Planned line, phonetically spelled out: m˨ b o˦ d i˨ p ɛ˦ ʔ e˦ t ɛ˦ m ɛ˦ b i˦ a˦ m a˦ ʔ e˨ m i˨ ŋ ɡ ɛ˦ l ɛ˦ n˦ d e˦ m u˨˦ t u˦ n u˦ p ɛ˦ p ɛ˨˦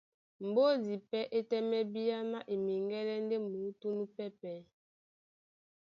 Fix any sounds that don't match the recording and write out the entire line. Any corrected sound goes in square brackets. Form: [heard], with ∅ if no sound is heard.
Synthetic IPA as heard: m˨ b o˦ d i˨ p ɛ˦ ʔ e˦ t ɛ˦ m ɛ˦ b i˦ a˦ m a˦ ʔ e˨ m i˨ ŋ ɡ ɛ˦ l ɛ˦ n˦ d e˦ m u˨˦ t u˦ n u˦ p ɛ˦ p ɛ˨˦